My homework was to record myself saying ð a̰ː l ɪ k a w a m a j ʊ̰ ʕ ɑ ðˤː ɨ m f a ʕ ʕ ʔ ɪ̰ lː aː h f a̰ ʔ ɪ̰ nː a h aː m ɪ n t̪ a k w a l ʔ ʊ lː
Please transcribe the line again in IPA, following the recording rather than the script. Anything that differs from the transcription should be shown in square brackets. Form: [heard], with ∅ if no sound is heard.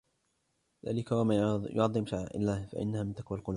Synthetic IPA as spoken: ð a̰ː l ɪ k a w a m a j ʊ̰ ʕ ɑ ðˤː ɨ m [ʃ] a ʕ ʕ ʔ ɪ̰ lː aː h f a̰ ʔ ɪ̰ nː a h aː m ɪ n t̪ a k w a l [q] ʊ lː